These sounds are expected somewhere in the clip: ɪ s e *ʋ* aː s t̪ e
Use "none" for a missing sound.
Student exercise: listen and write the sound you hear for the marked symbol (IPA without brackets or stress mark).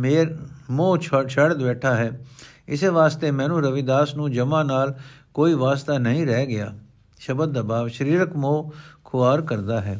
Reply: ʋ